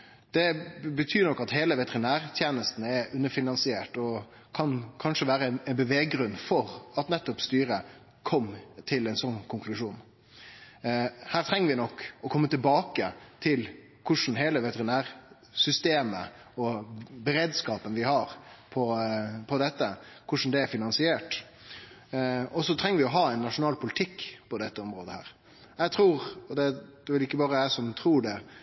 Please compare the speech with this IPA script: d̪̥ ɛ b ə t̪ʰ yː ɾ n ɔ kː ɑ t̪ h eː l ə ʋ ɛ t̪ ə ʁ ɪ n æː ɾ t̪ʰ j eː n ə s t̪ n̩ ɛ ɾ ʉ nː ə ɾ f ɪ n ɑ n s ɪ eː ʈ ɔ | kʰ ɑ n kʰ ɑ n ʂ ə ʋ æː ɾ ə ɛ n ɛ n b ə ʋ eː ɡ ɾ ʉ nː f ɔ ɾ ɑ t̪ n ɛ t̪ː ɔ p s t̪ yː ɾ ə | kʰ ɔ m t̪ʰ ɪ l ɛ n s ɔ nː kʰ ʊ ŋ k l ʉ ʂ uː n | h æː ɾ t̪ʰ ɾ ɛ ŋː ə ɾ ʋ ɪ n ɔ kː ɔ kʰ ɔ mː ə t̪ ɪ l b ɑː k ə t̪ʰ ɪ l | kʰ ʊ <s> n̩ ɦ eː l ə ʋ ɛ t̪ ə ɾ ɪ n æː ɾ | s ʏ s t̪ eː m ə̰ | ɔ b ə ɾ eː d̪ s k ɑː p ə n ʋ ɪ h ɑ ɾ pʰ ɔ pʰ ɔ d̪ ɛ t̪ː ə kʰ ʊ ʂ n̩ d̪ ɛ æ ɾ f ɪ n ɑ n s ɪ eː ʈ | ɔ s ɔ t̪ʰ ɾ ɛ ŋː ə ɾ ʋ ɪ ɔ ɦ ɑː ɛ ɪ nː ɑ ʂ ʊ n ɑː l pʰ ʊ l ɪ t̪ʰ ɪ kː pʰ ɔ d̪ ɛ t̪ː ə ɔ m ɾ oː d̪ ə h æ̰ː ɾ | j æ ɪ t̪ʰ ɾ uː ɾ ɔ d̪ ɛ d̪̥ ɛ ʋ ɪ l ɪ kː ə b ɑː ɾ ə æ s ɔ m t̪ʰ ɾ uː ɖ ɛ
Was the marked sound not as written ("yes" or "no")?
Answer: yes